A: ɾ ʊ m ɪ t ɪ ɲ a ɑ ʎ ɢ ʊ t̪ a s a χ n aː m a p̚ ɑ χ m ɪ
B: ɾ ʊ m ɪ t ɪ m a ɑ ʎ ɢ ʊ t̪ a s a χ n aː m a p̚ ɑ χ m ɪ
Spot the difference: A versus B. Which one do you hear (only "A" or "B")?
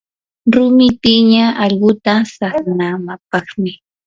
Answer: A